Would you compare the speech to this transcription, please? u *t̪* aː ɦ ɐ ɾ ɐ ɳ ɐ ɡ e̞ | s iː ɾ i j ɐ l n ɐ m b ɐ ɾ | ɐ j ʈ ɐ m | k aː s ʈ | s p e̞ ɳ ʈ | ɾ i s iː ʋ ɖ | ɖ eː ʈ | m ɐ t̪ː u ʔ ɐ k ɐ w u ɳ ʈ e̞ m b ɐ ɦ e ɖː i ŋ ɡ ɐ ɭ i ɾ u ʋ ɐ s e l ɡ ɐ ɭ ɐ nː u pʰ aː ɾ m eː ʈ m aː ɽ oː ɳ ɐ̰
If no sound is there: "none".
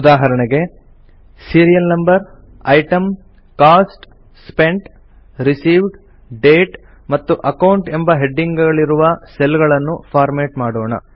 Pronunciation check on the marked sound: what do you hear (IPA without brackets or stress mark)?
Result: d̪